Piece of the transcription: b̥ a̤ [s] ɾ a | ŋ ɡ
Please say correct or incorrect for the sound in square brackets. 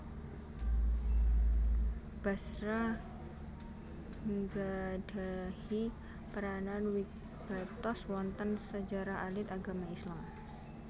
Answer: correct